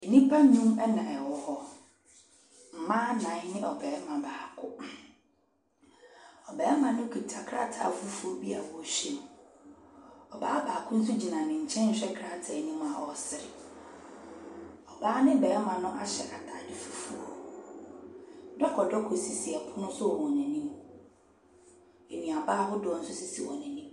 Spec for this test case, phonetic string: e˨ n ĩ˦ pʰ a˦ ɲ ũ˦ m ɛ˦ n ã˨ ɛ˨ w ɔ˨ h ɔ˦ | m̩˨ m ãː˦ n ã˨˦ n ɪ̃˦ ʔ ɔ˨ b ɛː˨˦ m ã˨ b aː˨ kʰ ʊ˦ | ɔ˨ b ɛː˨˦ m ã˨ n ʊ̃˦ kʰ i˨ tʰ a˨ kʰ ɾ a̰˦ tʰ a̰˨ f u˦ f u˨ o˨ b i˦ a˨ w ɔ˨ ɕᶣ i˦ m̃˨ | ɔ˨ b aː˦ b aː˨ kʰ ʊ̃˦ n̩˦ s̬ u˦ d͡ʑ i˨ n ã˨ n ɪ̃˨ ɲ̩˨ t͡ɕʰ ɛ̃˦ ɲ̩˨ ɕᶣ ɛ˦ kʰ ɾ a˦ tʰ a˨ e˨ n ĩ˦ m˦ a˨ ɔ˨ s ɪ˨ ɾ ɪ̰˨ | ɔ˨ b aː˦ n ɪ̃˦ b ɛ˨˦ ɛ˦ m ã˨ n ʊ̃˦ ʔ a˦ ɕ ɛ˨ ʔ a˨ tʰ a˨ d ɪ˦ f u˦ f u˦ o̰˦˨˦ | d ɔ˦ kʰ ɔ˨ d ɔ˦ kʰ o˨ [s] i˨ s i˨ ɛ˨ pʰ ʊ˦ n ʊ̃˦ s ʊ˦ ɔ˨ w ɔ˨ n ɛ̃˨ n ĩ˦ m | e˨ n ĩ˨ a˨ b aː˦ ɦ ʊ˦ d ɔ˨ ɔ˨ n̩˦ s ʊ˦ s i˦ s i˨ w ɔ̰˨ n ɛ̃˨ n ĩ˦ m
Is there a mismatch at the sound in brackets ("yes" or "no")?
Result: no